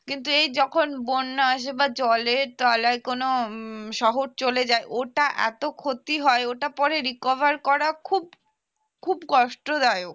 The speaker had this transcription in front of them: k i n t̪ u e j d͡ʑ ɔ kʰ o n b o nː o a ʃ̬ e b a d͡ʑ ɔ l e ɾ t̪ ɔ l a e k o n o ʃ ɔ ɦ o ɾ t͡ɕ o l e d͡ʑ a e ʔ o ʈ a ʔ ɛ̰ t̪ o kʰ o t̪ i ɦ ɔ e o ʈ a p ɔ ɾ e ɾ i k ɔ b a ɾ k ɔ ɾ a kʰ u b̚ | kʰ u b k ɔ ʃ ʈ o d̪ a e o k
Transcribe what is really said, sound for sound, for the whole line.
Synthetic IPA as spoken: k i n t̪ u e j d͡ʑ ɔ kʰ o n b o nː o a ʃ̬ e b a d͡ʑ ɔ l e ɾ t̪ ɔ l a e k o n o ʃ ɔ ɦ o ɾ t͡ɕ o l e d͡ʑ a e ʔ o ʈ a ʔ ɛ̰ t̪ o kʰ o t̪ i ɦ ɔ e o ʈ a p ɔ ɾ e ɾ i k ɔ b a ɾ k ɔ ɾ a kʰ u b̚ | kʰ u b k ɔ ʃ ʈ o d̪ a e o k